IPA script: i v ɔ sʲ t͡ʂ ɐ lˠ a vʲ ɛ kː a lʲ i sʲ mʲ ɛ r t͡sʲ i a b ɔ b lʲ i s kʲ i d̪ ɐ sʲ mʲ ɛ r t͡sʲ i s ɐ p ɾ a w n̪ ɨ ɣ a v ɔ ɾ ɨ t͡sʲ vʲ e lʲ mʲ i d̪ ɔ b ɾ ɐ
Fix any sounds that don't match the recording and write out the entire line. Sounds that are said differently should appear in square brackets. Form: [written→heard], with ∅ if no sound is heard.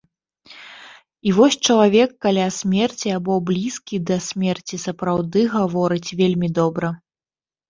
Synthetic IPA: i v ɔ sʲ t͡ʂ ɐ lˠ a vʲ ɛ kː a lʲ [i→a] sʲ mʲ ɛ r t͡sʲ i a b ɔ b lʲ i s kʲ i d̪ ɐ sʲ mʲ ɛ r t͡sʲ i s ɐ p ɾ a w [n̪→d̪] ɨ ɣ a v ɔ ɾ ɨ t͡sʲ vʲ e lʲ mʲ i d̪ ɔ b ɾ ɐ